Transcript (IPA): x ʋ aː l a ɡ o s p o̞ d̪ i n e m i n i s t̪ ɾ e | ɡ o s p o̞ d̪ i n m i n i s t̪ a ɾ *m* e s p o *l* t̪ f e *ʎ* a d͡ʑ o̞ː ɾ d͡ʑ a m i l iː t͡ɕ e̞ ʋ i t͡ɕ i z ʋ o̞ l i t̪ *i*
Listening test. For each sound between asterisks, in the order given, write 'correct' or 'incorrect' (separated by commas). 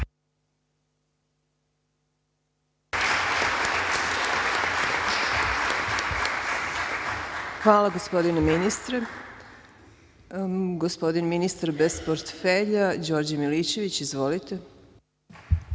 incorrect, incorrect, correct, incorrect